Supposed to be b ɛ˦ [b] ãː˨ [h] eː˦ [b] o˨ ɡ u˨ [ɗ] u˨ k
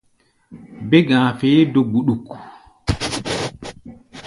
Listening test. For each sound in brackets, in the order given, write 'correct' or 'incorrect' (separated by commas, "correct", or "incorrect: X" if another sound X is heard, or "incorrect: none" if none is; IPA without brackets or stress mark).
incorrect: ɡ, incorrect: f, incorrect: d, correct